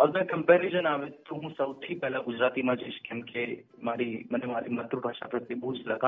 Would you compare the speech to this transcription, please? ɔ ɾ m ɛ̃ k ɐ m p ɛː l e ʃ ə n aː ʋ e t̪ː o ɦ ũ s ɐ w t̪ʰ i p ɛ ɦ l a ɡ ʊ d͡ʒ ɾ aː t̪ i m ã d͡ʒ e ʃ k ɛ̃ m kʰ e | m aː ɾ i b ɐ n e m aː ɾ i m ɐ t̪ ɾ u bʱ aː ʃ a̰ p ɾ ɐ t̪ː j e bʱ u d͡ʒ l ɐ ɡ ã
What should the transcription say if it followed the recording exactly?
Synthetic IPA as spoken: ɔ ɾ m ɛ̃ k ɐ m p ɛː ɾ e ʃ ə n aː ʋ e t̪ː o ɦ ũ s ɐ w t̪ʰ i p ɛ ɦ l a ɡ ʊ d͡ʒ ɾ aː t̪ i m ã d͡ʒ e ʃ k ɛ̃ m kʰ e | m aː ɾ i m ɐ n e m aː ɾ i m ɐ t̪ ɾ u bʱ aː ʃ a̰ p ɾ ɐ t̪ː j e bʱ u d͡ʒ l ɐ ɡ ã